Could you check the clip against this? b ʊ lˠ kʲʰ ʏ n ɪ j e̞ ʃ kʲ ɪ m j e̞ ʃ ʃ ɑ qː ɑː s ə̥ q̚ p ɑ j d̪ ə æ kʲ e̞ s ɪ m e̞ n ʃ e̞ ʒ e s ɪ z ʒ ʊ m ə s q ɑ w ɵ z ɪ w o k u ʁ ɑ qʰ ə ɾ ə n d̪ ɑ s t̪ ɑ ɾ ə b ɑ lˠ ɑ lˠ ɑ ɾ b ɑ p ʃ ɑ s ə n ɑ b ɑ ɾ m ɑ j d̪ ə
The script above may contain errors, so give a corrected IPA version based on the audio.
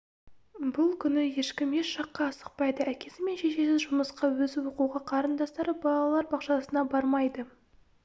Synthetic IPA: b ʊ lˠ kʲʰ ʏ n ɪ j e̞ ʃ kʲ ɪ m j e̞ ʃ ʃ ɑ qː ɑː s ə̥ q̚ p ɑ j d̪ ə æ kʲ e̞ s ɪ m e̞ n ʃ e̞ ʃ e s ɪ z ʒ ʊ m ə s q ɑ w ɵ z ɪ w o q u ʁ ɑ qʰ ɑ ɾ ə n d̪ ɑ s t̪ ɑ ɾ ə b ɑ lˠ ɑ lˠ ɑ ɾ b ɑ q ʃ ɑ s ə n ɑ b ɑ ɾ m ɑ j d̪ ə